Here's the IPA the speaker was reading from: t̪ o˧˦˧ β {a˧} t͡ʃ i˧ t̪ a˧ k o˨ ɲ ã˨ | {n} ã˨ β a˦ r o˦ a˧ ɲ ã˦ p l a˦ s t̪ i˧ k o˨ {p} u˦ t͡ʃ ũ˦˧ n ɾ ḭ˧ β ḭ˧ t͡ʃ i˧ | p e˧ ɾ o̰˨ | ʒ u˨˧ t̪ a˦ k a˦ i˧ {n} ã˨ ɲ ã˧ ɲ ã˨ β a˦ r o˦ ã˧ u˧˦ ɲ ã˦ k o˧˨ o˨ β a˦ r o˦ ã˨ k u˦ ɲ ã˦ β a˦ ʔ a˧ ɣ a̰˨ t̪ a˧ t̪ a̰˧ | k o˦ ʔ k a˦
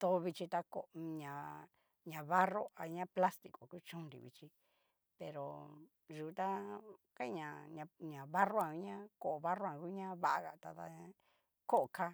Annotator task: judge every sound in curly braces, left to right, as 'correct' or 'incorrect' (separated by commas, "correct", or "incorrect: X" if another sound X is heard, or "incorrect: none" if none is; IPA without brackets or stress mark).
incorrect: i˧, incorrect: ɲ, incorrect: k, incorrect: ɲ